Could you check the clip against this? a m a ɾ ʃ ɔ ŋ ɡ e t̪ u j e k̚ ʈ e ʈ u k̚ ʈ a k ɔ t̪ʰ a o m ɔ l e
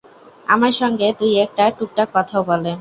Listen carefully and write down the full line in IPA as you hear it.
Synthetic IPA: a m a ɾ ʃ ɔ ŋ ɡ e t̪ u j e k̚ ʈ a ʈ u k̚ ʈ a k ɔ t̪ʰ a o b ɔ l e